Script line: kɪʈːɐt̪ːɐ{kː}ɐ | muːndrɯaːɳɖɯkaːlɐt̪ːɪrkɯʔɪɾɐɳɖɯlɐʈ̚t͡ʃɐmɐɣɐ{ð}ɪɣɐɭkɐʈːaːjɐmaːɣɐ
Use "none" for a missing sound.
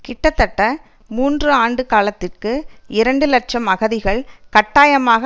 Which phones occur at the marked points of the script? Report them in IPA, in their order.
ʈː, ð

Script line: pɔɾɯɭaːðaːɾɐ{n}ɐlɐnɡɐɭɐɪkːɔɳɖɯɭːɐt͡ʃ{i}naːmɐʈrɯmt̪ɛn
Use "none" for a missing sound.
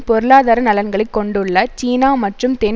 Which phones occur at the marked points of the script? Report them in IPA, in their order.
n, iː

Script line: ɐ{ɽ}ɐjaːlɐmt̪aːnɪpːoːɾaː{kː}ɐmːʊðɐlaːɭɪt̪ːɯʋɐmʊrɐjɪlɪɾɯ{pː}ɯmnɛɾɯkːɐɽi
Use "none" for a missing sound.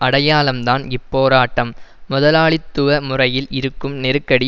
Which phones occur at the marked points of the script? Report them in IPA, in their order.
ɽ, ʈː, kː

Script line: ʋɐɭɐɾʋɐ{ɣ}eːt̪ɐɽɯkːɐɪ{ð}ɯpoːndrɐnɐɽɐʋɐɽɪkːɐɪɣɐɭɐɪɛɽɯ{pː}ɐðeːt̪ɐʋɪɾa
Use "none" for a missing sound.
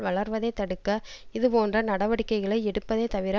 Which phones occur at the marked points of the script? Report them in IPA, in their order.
ð, ð, pː

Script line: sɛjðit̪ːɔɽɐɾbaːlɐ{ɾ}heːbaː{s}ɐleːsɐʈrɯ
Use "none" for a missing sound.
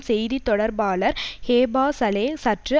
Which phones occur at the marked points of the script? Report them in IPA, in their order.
ɾ, s

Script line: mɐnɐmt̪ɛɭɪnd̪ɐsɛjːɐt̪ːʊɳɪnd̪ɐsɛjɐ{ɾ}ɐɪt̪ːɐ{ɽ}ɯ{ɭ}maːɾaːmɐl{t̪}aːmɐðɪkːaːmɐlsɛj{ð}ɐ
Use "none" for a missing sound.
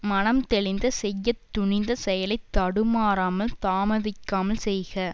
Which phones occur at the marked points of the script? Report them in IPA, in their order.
l, ɽ, none, t̪, ɣ

